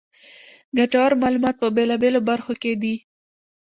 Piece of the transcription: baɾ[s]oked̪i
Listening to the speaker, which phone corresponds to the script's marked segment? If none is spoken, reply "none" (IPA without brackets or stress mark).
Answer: x